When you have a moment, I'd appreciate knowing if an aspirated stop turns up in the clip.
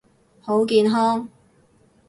no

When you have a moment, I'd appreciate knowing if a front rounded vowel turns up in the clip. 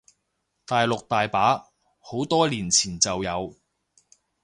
no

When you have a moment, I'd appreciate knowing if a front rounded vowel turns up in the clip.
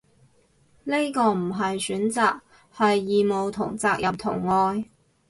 yes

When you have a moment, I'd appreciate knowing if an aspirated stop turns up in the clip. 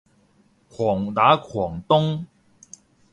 yes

